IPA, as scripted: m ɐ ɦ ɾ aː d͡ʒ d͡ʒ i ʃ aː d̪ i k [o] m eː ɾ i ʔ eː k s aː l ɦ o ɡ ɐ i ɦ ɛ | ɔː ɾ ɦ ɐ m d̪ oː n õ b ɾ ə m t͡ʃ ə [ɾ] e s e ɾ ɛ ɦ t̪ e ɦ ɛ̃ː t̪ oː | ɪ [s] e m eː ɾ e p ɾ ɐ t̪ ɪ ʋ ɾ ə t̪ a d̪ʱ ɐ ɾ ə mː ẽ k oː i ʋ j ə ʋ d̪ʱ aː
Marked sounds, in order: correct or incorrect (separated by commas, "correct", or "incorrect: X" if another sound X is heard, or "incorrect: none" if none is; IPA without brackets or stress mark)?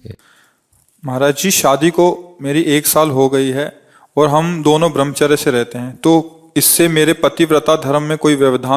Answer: correct, correct, incorrect: sː